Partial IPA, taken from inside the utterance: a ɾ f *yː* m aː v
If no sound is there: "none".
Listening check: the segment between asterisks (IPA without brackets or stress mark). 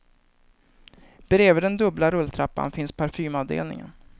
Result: yː